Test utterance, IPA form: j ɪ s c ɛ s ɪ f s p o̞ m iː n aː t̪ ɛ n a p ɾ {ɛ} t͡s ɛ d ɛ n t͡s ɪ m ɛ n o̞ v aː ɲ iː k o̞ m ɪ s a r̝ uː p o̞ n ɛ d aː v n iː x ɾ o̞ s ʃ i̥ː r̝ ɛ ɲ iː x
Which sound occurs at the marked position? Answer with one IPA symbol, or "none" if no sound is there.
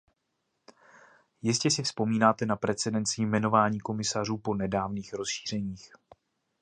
ɛ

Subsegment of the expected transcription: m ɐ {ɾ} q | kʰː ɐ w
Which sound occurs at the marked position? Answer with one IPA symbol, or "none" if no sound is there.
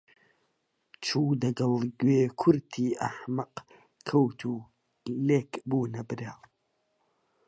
none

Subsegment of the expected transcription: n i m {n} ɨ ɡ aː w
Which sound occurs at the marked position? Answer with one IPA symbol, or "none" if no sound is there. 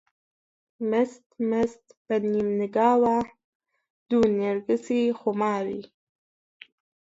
n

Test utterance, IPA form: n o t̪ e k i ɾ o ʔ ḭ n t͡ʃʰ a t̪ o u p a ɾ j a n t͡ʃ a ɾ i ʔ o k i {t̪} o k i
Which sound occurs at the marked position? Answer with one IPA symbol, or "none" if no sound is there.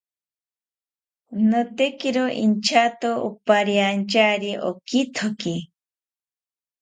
t̪ʰ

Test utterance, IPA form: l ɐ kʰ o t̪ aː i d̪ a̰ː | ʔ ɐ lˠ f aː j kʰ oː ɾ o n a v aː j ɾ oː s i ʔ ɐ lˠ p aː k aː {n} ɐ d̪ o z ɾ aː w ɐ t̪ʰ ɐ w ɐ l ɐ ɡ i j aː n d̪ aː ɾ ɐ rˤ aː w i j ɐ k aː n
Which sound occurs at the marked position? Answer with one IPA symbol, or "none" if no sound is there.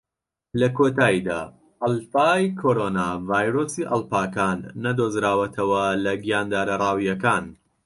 nː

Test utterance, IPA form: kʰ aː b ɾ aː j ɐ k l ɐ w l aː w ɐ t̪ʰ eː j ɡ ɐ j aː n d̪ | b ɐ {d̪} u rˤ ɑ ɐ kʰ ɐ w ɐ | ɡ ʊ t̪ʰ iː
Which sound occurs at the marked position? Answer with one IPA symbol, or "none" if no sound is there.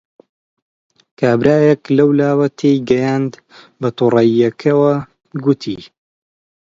t̪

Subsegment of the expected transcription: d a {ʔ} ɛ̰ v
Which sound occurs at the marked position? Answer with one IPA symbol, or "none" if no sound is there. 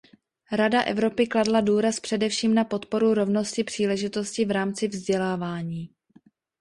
ʔ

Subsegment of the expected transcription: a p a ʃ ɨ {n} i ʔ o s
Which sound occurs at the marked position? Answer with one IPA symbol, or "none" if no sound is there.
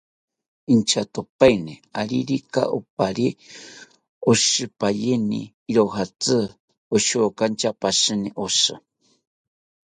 n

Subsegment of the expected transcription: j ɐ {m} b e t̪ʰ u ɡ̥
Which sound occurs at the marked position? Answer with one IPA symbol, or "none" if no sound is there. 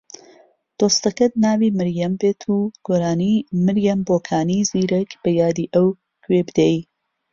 m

